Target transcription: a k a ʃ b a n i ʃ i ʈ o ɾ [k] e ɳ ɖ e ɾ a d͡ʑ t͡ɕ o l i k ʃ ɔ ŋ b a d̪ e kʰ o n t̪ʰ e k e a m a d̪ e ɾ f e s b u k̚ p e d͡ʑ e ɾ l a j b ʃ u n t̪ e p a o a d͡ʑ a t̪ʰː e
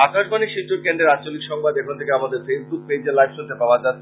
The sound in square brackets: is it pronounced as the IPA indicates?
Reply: yes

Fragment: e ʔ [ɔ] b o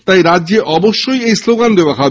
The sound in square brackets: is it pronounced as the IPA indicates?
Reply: yes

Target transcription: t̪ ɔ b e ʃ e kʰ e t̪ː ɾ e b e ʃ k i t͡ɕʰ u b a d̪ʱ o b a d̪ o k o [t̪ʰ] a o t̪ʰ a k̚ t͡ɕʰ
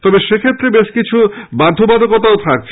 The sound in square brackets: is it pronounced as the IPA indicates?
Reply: no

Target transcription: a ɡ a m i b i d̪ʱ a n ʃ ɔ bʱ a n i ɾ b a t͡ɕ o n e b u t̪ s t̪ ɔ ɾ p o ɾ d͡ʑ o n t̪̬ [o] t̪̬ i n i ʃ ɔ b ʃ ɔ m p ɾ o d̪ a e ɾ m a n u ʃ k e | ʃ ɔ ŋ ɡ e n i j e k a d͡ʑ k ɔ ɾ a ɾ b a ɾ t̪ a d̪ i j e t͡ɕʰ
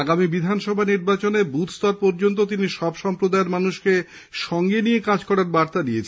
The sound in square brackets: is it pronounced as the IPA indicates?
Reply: yes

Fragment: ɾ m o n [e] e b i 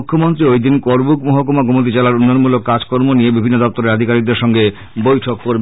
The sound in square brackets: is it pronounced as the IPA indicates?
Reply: no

